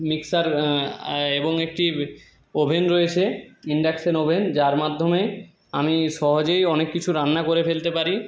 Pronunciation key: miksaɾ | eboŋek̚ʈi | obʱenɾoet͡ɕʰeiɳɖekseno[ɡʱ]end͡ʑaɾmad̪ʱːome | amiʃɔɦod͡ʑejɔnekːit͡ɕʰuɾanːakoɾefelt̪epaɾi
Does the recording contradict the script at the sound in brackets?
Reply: yes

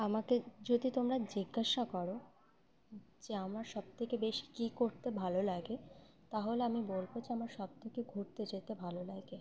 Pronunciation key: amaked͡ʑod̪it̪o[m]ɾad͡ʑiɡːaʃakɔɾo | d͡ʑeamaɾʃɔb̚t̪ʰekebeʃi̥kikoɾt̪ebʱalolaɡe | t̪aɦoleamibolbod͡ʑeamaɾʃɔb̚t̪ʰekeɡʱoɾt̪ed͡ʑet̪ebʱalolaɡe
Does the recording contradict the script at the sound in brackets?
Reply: no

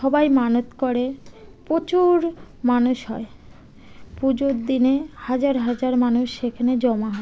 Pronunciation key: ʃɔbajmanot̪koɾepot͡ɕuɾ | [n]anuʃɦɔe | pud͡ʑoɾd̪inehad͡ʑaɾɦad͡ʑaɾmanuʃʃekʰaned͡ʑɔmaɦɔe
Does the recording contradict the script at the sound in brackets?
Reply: yes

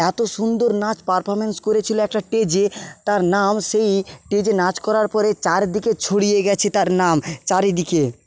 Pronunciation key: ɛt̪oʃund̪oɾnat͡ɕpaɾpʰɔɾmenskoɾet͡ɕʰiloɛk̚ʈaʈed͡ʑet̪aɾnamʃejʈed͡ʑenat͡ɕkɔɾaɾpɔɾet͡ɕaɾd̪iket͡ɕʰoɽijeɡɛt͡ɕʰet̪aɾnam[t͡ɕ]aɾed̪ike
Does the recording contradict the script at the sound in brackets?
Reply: no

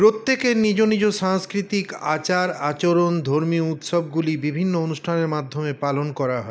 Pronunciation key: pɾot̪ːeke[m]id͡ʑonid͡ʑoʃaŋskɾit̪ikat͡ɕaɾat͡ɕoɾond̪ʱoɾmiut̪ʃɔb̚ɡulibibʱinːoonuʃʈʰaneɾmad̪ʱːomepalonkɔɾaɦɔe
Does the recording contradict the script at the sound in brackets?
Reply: yes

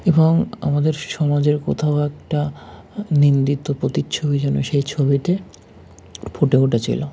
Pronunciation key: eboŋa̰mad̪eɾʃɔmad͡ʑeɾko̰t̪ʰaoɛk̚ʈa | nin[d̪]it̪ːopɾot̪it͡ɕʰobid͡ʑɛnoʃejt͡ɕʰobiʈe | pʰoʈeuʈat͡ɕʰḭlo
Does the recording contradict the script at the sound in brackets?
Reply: no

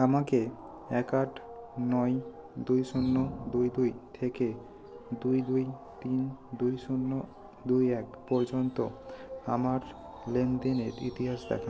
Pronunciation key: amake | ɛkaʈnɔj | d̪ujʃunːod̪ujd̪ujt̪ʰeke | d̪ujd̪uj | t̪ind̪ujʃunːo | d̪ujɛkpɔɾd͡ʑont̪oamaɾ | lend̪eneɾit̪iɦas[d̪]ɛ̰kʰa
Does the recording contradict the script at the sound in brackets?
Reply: no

